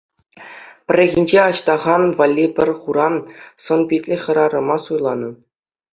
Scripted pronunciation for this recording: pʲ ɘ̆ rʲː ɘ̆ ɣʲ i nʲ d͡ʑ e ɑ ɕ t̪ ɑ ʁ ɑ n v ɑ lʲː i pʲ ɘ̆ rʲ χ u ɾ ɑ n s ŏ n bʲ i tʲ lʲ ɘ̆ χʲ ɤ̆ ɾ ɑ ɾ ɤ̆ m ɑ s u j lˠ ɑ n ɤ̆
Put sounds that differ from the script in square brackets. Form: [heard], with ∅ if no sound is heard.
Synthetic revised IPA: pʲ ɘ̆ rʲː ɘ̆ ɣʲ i nʲ d͡ʑ e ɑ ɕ t̪ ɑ ʁ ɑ n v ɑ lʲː i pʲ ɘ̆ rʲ χ u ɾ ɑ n s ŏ n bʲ i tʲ lʲ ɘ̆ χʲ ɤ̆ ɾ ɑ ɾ ɤ̆ m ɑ s u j lˠ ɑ n ɤ̆